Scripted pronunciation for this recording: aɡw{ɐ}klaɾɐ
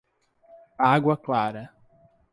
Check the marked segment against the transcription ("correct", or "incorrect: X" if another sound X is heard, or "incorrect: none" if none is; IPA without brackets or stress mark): correct